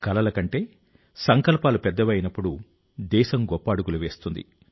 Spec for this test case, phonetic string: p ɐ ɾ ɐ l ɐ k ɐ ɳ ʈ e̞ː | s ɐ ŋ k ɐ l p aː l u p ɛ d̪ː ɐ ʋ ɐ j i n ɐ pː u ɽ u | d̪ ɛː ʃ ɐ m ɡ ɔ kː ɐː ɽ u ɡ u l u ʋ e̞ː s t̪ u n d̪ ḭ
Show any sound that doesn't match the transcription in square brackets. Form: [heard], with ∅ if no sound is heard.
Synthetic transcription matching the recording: [k] ɐ [l] ɐ l ɐ k ɐ ɳ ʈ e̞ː | s ɐ ŋ k ɐ l p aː l u p ɛ d̪ː ɐ ʋ ɐ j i n ɐ pː u ɽ u | d̪ ɛː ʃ ɐ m ɡ ɔ [pː] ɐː ɽ u ɡ u l u ʋ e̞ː s t̪ u n d̪ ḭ